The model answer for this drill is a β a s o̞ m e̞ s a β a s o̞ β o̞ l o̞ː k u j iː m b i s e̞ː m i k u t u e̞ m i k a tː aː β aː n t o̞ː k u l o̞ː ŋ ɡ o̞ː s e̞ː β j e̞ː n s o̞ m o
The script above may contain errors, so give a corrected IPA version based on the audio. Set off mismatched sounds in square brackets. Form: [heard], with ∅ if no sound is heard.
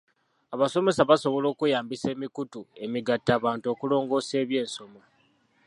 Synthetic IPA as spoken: a β a s o̞ m e̞ s a β a s o̞ β o̞ l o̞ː k u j [aː] m b i s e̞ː m i k u t u e̞ m i [ɡ] a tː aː β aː n t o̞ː k u l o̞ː ŋ ɡ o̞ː s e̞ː β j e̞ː n s o̞ m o